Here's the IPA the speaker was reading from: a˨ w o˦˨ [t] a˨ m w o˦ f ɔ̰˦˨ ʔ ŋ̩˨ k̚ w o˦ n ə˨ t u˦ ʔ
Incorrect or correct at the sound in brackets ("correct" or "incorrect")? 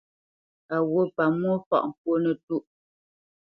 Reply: incorrect